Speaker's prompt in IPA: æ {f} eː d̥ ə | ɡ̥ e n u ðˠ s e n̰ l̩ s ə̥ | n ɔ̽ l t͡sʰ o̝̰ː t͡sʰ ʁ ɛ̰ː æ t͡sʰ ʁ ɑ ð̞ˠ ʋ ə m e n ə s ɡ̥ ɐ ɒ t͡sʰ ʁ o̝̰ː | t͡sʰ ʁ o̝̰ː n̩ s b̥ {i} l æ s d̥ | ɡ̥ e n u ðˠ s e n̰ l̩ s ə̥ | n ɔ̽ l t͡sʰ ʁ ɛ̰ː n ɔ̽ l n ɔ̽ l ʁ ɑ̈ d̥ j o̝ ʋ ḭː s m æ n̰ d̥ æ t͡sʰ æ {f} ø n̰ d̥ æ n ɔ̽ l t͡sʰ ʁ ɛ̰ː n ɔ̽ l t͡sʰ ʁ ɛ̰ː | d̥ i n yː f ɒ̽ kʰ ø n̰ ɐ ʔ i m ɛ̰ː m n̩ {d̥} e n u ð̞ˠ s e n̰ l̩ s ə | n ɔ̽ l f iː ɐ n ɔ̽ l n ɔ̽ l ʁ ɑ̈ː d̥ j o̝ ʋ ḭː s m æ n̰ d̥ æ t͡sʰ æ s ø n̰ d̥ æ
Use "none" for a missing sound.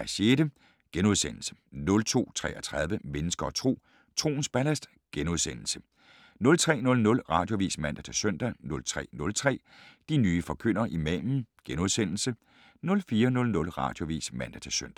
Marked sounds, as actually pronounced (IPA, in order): ɕ, æ, s, ɡ̥

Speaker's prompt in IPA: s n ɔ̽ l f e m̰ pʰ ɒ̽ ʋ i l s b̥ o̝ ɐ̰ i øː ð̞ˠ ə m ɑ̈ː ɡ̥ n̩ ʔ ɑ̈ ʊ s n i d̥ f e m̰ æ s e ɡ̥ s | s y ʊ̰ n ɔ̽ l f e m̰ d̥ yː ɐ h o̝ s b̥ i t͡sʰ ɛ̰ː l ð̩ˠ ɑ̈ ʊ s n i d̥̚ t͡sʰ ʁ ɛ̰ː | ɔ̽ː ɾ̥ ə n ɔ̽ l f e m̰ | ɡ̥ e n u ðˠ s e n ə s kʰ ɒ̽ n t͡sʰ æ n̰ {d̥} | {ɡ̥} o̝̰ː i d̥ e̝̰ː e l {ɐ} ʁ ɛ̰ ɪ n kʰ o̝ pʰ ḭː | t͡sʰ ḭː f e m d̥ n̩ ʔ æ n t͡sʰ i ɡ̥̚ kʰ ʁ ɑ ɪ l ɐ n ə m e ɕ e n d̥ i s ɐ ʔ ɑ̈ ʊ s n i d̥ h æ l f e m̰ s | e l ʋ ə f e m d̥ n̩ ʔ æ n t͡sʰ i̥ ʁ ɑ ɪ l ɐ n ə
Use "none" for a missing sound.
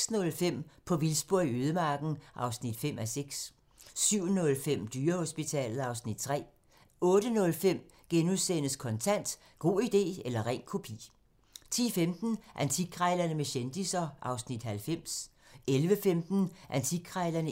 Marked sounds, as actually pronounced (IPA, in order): d̥, ɡ̥, ɐ

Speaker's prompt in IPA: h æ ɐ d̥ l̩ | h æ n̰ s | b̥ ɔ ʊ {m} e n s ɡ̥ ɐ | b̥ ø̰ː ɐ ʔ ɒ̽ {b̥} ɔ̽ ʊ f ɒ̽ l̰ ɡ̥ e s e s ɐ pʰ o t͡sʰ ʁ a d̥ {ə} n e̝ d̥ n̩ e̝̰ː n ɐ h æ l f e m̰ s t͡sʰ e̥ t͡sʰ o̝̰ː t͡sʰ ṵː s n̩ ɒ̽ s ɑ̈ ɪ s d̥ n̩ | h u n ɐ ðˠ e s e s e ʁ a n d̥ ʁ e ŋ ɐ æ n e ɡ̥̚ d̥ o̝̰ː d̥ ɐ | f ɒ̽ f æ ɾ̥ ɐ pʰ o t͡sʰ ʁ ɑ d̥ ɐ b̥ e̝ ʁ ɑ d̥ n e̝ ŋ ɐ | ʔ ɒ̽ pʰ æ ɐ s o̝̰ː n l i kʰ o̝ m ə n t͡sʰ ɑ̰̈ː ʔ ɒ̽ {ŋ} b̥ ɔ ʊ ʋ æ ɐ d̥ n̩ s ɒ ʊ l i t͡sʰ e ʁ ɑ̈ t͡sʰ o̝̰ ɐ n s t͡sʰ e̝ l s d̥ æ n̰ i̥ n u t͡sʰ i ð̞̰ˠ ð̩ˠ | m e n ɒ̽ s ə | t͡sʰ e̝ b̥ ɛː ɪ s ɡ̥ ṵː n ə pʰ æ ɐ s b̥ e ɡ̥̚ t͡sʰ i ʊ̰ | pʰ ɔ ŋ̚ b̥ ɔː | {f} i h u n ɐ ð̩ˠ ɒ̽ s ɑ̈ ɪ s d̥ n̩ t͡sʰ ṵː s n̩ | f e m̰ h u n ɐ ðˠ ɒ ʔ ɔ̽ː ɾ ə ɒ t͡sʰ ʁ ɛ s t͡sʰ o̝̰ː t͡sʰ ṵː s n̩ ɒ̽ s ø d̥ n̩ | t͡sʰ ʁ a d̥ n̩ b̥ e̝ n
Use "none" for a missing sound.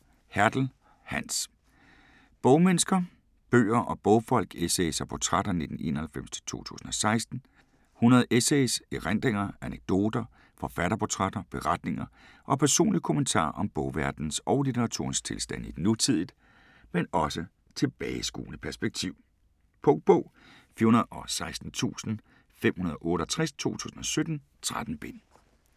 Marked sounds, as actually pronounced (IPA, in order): m, b̥, ɐ, m, f

